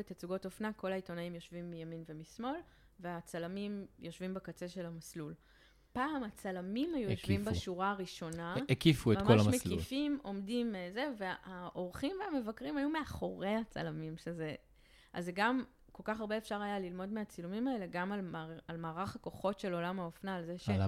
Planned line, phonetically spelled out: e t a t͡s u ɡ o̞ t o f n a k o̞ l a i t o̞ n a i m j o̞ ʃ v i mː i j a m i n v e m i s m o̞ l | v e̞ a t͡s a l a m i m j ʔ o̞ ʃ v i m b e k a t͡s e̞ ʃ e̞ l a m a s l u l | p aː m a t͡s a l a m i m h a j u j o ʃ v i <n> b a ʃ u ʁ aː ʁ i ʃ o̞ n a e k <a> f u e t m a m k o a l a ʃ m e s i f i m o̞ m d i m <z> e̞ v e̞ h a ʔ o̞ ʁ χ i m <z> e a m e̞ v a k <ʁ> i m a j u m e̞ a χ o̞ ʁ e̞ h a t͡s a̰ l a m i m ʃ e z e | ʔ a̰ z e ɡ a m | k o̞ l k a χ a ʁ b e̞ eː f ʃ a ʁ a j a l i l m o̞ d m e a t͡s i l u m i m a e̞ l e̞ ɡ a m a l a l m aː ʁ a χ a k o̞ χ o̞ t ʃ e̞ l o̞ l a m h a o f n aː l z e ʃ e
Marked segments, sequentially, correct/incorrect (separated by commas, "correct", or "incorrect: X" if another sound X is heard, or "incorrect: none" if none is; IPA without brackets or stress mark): incorrect: m, incorrect: i, correct, incorrect: v, correct